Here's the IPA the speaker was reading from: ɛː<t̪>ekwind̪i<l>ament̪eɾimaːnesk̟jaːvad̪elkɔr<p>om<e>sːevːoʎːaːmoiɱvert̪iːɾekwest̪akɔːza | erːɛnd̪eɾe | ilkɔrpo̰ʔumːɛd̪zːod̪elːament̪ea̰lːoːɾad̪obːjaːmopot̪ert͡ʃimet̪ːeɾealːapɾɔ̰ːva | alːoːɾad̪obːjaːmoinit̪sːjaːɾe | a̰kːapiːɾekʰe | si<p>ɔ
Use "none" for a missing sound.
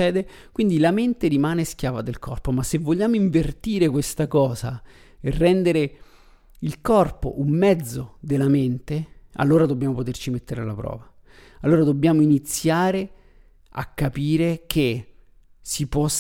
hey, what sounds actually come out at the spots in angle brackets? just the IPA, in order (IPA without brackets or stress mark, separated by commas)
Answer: d̪, l, p, a, p